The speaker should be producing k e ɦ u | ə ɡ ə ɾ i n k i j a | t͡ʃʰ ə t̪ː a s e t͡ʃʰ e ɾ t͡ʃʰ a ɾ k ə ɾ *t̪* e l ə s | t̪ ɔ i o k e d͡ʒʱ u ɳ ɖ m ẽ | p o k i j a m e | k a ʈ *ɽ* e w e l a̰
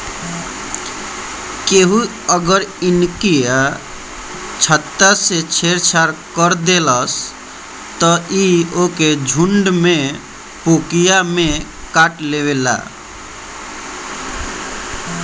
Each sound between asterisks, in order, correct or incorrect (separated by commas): incorrect, incorrect